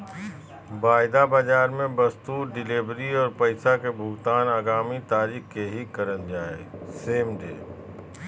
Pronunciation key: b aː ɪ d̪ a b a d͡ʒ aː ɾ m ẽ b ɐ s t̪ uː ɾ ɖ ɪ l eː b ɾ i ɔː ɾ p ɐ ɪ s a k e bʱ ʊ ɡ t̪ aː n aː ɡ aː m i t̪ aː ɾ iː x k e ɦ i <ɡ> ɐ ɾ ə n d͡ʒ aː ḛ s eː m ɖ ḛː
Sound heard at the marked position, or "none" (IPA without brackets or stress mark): k